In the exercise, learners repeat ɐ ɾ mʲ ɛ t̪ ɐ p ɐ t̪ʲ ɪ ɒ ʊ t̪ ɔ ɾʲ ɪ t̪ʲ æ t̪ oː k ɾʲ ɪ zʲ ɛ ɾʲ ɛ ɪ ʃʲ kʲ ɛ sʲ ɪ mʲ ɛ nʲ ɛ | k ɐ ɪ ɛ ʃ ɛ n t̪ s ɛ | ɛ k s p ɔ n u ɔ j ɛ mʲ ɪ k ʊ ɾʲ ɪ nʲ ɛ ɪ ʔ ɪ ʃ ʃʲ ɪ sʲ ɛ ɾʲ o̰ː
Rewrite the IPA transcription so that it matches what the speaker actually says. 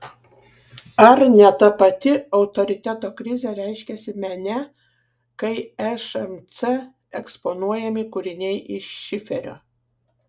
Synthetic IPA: ɐ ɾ nʲ ɛ t̪ ɐ p ɐ t̪ʲ ɪ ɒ ʊ t̪ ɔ ɾʲ ɪ t̪ʲ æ t̪ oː k ɾʲ ɪ zʲ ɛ ɾʲ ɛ ɪ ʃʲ kʲ ɛ sʲ ɪ mʲ ɛ nʲ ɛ | k ɐ ɪ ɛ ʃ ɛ m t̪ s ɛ | ɛ k s p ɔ n u ɔ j ɛ mʲ ɪ k ʊ ɾʲ ɪ nʲ ɛ ɪ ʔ ɪ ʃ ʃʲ ɪ fʲ ɛ ɾʲ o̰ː